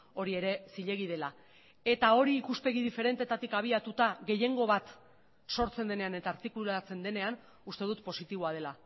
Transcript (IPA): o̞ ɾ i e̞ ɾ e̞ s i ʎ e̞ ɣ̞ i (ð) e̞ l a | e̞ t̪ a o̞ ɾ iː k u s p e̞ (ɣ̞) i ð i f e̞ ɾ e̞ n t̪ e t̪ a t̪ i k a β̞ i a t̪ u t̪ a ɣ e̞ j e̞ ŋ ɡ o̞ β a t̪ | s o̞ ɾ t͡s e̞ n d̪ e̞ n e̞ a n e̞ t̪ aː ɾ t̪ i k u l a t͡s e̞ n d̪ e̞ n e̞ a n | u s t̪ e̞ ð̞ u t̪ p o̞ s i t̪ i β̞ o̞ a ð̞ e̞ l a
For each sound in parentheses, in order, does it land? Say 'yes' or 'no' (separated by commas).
yes, yes